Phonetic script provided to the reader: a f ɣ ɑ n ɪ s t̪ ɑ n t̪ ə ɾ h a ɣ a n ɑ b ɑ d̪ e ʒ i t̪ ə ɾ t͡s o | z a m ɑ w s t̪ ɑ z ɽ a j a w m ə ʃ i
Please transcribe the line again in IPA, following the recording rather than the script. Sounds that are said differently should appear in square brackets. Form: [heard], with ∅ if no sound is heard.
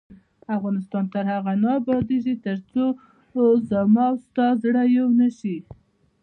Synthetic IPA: a f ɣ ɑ n ɪ s t̪ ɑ n t̪ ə ɾ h a ɣ a n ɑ b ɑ d̪ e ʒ i t̪ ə ɾ t͡s o | z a m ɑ w s t̪ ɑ z ɽ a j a w [n] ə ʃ i